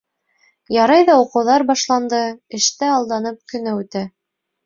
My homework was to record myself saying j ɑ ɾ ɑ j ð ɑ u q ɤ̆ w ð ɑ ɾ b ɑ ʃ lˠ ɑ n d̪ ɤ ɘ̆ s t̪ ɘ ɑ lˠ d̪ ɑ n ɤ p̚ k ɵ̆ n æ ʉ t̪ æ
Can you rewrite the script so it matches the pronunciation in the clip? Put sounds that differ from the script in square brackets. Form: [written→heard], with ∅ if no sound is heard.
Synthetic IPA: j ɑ ɾ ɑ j ð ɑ u q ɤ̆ w ð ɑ ɾ b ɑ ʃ lˠ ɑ n d̪ ɤ ɘ̆ [s→ʃ] t̪ ɘ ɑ lˠ d̪ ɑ n ɤ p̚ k ɵ̆ n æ ʉ t̪ æ

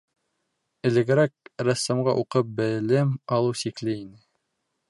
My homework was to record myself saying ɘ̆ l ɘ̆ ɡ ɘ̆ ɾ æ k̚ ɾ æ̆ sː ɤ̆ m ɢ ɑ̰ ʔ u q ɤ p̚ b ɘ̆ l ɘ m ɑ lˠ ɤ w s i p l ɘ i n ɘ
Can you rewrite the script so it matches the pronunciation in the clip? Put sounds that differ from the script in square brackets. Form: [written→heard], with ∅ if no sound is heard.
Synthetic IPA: ɘ̆ l ɘ̆ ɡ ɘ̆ ɾ æ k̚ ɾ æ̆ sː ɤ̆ m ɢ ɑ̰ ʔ u q ɤ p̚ b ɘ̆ l ɘ m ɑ lˠ ɤ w s i [p→k] l ɘ i n ɘ

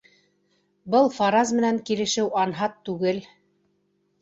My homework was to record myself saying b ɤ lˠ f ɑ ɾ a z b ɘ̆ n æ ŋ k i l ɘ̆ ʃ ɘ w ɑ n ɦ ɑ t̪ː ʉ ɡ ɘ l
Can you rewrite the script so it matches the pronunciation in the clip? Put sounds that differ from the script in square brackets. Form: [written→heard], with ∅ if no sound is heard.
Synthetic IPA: b ɤ lˠ f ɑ ɾ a z [b→m] ɘ̆ n æ ŋ k i l ɘ̆ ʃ ɘ w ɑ n ɦ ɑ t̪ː ʉ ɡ ɘ l

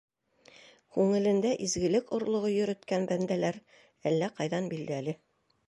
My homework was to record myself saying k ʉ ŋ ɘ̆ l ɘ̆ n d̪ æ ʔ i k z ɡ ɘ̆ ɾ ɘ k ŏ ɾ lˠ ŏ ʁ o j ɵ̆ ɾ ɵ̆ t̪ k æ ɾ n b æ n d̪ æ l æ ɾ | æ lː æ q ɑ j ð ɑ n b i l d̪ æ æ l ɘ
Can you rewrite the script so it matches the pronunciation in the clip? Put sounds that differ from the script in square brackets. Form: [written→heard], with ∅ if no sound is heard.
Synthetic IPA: k ʉ ŋ ɘ̆ l ɘ̆ n d̪ æ ʔ i [k→∅] z ɡ ɘ̆ [ɾ→l] ɘ k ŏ ɾ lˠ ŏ ʁ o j ɵ̆ ɾ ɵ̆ t̪ k æ [ɾ→∅] n b æ n d̪ æ l æ ɾ | æ lː æ q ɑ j ð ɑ n b i l d̪ æ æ l ɘ

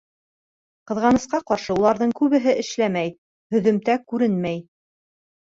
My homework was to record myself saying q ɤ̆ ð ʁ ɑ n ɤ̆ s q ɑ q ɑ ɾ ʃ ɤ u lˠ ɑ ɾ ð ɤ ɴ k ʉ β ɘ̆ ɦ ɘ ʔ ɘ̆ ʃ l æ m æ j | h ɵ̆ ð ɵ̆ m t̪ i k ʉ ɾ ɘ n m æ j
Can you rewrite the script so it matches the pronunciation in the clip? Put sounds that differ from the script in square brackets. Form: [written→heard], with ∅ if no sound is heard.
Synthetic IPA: q ɤ̆ ð ʁ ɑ n ɤ̆ s q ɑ q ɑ ɾ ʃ ɤ u lˠ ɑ ɾ ð ɤ ɴ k ʉ β ɘ̆ ɦ ɘ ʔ ɘ̆ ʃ l æ m æ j | h ɵ̆ ð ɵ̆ m t̪ [i→æ] k ʉ ɾ ɘ n m æ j

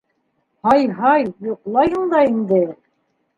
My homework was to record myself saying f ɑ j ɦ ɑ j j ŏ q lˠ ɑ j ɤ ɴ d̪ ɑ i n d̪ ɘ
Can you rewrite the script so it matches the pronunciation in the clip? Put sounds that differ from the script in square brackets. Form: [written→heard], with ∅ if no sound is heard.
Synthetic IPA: [f→h] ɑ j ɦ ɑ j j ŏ q lˠ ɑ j ɤ ɴ d̪ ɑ i n d̪ ɘ

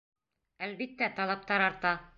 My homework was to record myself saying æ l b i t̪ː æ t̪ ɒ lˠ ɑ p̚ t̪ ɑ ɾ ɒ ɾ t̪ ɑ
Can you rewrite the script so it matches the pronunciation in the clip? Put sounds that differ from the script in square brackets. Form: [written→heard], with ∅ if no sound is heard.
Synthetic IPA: æ l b i t̪ː æ t̪ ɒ lˠ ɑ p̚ t̪ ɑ ɾ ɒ ɾ t̪ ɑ

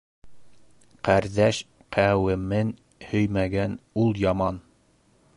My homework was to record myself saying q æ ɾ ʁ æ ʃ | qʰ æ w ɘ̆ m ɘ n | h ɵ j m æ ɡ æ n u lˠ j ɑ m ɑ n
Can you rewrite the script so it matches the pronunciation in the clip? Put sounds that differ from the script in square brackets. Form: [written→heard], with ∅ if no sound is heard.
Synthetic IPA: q æ ɾ [ʁ→ð] æ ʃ | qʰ æ w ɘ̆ m ɘ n | h ɵ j m æ ɡ æ n u lˠ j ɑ m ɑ n

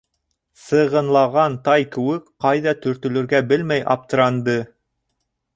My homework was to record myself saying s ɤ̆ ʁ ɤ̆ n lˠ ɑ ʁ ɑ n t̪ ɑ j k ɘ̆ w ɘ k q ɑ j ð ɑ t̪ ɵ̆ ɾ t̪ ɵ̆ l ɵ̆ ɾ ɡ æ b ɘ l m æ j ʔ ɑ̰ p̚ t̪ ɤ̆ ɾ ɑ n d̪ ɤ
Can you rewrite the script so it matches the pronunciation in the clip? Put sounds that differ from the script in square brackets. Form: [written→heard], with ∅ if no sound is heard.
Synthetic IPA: s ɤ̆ ʁ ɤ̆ n lˠ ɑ ʁ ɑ n t̪ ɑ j k ɘ̆ w ɘ k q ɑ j ð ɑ t̪ ɵ̆ ɾ t̪ ɵ̆ l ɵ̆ ɾ ɡ æ b ɘ l m æ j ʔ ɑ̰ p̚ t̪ ɤ̆ ɾ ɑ n d̪ ɤ

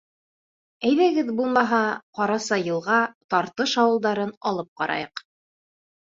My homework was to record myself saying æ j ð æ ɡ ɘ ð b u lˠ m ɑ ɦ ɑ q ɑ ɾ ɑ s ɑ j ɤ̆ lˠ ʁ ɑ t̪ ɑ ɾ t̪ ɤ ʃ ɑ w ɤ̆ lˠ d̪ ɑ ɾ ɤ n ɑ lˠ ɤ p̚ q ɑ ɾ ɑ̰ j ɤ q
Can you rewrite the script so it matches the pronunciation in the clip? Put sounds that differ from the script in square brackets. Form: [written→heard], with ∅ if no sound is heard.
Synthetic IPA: æ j ð æ ɡ ɘ ð b u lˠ m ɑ ɦ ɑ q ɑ ɾ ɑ s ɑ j ɤ̆ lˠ ʁ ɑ t̪ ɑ ɾ t̪ ɤ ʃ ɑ w ɤ̆ lˠ d̪ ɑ ɾ ɤ n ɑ lˠ ɤ p̚ q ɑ ɾ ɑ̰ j ɤ q

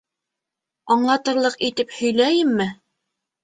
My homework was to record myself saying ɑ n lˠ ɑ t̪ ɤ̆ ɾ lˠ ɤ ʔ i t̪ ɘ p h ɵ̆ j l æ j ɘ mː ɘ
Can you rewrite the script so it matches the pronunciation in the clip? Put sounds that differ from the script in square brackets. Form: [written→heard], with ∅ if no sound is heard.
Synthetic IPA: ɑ [n→ɴ] lˠ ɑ t̪ ɤ̆ ɾ lˠ ɤ [ʔ→q] i t̪ ɘ p h ɵ̆ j l æ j ɘ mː ɘ

